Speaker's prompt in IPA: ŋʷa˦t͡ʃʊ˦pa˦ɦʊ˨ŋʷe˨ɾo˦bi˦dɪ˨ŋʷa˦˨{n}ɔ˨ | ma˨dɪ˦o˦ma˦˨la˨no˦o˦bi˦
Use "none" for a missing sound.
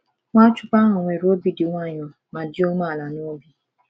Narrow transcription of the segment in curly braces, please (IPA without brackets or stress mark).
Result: ɲ